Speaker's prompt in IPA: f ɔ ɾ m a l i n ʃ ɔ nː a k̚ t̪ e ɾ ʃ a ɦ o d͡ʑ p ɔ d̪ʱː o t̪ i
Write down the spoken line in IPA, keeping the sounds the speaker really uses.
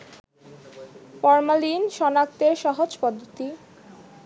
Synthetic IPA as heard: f ɔ ɾ m a l i n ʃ ɔ n a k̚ t̪ e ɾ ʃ a ɦ o d͡ʑ p ɔ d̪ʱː o t̪ i